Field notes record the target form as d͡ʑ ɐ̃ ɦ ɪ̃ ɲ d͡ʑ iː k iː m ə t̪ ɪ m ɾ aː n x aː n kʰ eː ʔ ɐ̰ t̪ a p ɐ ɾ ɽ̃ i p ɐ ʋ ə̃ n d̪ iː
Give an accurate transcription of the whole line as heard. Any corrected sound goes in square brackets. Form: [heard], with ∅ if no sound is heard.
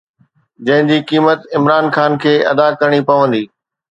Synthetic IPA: d͡ʑ ɐ̃ ɦ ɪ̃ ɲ d͡ʑ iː k iː m ə t̪ ɪ m ɾ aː n x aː n kʰ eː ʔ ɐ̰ [d̪] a [k] ɐ ɾ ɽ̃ i p ɐ ʋ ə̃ n d̪ iː